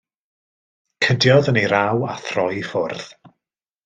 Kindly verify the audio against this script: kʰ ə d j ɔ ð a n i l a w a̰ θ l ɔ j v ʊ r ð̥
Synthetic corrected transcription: kʰ ə d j ɔ ð ə n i ɾ a w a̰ θ r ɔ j f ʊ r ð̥

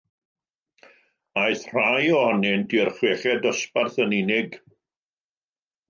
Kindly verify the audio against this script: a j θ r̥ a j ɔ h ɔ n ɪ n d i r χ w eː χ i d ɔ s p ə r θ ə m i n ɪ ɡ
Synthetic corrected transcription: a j θ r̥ a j ɔ h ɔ n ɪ n d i r χ w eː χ ɛ d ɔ s p a r θ ə n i n ɪ ɡ

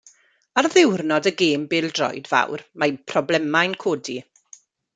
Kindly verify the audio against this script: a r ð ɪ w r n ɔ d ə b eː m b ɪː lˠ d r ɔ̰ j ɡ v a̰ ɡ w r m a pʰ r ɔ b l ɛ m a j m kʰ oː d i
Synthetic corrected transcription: a r ð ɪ w r n ɔ d ə ɡ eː m b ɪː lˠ d r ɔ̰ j d v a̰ w r m a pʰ r ɔ b l ɛ m a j n kʰ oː d i

